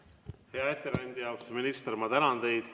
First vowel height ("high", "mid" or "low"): mid